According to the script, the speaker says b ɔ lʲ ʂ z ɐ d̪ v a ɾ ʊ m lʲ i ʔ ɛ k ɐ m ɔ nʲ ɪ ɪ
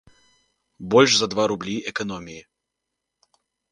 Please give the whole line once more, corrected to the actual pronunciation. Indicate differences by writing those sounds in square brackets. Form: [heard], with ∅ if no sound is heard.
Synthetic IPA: b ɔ lʲ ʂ z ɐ d̪ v a ɾ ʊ [b] lʲ i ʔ ɛ k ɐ [n] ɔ [mʲ] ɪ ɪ